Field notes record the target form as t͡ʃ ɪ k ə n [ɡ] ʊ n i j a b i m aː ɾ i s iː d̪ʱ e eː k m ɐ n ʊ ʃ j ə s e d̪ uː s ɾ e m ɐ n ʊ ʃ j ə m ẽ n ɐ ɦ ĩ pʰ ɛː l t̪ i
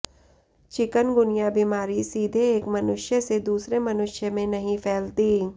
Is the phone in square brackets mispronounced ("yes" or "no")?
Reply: no